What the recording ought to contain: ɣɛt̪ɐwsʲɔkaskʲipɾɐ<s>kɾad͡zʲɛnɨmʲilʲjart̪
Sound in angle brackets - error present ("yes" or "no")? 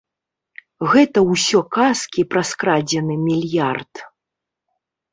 no